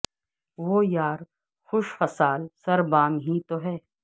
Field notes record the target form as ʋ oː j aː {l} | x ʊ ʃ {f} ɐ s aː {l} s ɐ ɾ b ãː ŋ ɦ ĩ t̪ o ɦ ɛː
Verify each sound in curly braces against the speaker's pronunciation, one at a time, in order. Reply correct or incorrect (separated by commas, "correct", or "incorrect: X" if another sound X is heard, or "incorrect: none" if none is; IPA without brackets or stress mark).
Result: incorrect: ɾ, correct, correct